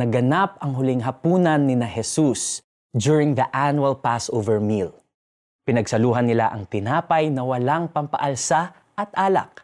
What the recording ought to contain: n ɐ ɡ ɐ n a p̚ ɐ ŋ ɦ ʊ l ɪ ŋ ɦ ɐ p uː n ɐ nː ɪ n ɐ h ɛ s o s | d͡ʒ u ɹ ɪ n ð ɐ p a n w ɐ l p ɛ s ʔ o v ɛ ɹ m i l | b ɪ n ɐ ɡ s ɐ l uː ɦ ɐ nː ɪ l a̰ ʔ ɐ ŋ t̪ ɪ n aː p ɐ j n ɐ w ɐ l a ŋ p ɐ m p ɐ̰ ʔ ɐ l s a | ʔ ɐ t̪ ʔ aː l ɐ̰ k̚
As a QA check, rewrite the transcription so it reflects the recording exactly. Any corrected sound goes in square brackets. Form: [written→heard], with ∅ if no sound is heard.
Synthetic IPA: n ɐ ɡ ɐ n a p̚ ɐ ŋ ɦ ʊ l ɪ ŋ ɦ ɐ p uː n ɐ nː ɪ n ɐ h ɛ s [o→u] s | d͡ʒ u ɹ ɪ [n→ŋ] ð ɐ [p→ʔ] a n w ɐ l p [ɛ→a] s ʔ o v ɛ ɹ m i l | [b→p] ɪ n ɐ ɡ s ɐ l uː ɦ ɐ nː ɪ l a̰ ʔ ɐ ŋ t̪ ɪ n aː p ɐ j n ɐ w ɐ l a ŋ p ɐ m p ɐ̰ ʔ ɐ l s a | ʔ ɐ t̪ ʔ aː l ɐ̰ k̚